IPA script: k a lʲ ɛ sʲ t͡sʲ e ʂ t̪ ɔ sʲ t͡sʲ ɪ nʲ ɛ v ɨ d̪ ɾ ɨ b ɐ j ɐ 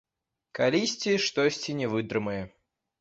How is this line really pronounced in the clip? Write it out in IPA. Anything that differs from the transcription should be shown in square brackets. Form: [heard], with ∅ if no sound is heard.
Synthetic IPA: k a lʲ [i] sʲ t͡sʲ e ʂ t̪ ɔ sʲ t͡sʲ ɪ nʲ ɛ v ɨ d̪ ɾ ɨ [m] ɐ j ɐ